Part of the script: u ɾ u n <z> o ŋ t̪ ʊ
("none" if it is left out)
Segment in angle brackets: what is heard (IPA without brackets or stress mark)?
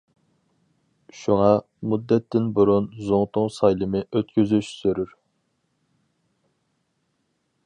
z